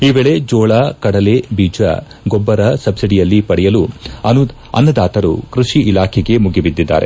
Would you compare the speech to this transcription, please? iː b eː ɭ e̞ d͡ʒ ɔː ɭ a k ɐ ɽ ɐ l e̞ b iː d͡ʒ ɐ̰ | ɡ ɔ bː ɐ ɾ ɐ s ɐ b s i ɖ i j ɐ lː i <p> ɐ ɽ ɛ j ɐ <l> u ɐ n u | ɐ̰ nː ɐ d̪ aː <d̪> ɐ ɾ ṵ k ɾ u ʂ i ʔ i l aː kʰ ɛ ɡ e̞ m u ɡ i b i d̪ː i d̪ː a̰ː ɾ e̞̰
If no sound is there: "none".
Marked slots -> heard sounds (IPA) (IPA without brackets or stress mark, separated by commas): p, l, t̪